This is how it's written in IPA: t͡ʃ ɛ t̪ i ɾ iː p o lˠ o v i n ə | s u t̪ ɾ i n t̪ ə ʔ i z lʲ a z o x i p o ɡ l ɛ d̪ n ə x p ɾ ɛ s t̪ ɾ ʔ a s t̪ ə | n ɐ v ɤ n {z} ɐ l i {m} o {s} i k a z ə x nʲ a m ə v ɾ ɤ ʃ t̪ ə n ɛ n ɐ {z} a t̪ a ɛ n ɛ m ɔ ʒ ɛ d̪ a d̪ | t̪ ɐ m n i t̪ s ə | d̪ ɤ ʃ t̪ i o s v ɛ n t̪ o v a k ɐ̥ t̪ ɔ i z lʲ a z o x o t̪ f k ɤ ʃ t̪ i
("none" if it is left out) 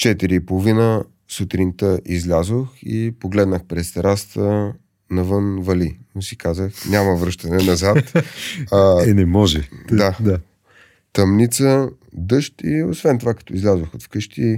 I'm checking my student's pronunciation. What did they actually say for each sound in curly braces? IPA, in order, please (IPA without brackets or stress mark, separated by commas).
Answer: v, n, s, z